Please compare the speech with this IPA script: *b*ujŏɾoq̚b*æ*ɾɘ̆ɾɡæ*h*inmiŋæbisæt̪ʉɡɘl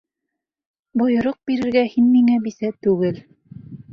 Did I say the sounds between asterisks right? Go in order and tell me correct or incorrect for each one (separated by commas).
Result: correct, incorrect, correct